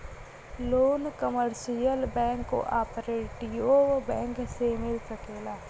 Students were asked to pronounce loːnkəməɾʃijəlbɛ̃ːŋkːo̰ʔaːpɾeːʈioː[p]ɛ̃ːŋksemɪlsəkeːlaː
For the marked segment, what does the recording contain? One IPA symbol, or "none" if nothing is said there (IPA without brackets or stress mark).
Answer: b